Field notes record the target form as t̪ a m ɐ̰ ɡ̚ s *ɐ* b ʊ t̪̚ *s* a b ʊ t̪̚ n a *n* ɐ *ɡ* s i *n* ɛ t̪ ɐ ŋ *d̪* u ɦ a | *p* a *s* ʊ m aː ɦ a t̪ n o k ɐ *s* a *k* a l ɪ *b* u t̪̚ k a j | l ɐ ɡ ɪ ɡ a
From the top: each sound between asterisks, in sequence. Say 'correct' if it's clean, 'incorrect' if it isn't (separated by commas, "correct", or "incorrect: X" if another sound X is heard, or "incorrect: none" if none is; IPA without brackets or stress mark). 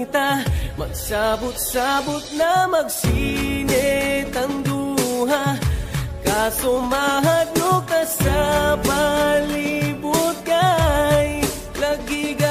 incorrect: a, correct, incorrect: m, correct, correct, correct, incorrect: k, correct, correct, incorrect: p, correct